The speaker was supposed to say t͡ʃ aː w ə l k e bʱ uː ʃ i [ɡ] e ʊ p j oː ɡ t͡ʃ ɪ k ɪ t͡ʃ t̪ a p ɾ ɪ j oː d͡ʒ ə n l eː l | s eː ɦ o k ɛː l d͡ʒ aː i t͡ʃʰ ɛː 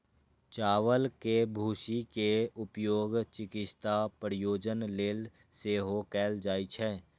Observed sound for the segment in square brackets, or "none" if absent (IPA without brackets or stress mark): k